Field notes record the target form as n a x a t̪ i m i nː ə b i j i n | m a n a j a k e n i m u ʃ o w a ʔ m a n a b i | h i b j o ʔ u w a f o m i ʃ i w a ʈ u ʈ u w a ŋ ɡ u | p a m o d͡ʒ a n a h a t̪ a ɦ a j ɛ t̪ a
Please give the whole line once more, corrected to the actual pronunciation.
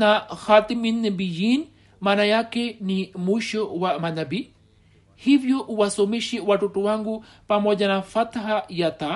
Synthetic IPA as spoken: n a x a t̪ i m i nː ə b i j i n | m a n a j a k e n i m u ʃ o w a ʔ m a n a b i | h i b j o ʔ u w a s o m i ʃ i w a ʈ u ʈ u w a ŋ ɡ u | p a m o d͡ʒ a n a f a t̪ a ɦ a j a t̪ a